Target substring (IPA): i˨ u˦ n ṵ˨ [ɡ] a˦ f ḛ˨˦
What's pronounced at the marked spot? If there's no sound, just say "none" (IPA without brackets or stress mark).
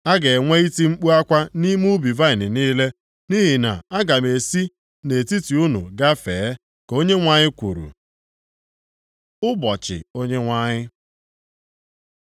ɡ